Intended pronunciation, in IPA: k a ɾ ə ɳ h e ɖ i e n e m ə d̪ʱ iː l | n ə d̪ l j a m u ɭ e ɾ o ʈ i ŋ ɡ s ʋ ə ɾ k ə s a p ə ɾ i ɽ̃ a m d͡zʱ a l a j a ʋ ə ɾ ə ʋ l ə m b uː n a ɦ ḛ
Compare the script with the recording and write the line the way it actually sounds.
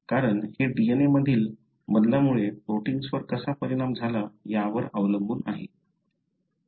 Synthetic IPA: k a ɾ ə ɳ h e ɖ i e n e m ə d̪ʱ iː l | m ə d̪ l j a m u ɭ e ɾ o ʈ i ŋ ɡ s ʋ ə ɾ k ə s a p ə ɾ i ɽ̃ a m d͡zʱ a l a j a ʋ ə ɾ ə ʋ l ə m b uː n a ɦ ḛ